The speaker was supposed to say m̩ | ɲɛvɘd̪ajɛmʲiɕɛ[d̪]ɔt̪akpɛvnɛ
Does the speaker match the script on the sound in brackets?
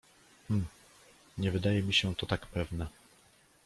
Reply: no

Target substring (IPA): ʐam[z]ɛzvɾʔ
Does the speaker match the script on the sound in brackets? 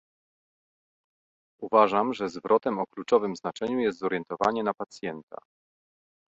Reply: no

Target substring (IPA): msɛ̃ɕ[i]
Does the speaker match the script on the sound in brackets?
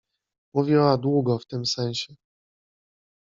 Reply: no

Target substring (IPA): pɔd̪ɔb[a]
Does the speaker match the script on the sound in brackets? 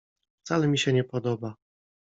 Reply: yes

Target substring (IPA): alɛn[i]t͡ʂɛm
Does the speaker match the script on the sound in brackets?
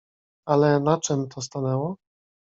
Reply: no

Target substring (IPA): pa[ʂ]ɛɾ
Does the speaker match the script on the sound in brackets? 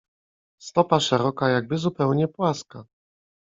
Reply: yes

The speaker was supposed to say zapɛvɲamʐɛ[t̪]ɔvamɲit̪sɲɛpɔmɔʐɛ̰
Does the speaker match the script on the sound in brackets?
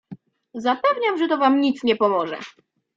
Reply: yes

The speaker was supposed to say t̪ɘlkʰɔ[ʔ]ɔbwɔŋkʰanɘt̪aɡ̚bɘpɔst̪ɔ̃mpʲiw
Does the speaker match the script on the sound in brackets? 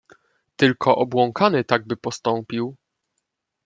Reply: yes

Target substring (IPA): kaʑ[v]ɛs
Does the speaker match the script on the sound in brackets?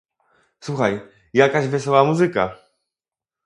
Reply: yes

